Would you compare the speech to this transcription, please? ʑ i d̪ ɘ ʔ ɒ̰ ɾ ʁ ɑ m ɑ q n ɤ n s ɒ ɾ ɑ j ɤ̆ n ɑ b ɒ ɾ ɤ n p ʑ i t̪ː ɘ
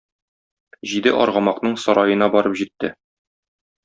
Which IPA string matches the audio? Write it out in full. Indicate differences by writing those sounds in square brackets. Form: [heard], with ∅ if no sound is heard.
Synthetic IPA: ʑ i d̪ ɘ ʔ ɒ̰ ɾ ʁ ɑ m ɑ q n ɤ [ɴ] s ɒ ɾ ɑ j ɤ̆ n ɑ b ɒ ɾ ɤ [∅] p ʑ i t̪ː ɘ